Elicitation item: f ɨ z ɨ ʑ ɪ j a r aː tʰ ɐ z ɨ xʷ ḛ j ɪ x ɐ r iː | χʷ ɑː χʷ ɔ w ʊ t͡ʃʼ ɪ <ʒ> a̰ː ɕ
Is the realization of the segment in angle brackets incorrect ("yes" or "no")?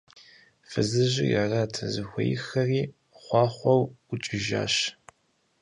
no